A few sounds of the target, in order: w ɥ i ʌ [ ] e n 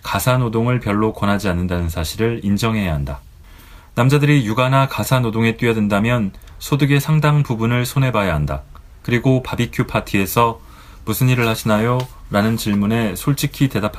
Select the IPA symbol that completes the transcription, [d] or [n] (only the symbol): d